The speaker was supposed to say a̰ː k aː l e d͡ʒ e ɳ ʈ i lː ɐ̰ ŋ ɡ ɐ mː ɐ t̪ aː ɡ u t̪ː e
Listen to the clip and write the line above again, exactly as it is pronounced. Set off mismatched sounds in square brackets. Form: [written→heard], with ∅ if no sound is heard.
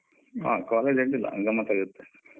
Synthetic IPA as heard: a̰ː k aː l e d͡ʒ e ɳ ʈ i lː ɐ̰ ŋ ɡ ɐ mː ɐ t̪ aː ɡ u t̪ː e